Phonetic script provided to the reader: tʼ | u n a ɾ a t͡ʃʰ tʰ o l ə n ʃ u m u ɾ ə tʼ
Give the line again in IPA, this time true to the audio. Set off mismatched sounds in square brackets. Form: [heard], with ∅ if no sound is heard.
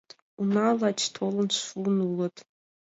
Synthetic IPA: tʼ | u n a [l] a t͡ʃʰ tʰ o l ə n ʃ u [n] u [l] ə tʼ